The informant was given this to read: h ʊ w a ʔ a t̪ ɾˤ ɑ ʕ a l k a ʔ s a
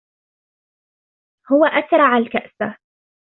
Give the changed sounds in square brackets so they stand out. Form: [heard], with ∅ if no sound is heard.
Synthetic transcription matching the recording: h ʊ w a ʔ a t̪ ɾˤ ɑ ʕ a l k a ʔ s a